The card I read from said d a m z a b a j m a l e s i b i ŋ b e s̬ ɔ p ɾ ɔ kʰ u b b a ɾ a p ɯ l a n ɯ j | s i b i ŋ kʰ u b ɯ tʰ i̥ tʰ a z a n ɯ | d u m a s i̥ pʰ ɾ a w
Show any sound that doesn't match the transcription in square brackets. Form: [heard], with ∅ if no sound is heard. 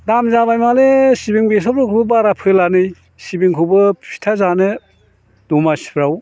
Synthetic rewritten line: d a m z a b a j m a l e s i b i ŋ b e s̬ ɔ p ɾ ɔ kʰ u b b a ɾ a [pʰ] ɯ l a n ɯ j | s i b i ŋ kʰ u b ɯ [pʰ] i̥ tʰ a z a n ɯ | d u m a s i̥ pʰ ɾ a w